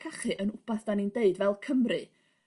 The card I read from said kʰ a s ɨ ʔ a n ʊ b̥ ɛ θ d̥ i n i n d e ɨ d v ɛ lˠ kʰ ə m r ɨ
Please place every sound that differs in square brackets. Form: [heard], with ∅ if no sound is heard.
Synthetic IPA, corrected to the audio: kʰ a [χ] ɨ ʔ [ə] n ʊ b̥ [a] θ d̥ [a] n i n d e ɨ d v ɛ lˠ kʰ ə m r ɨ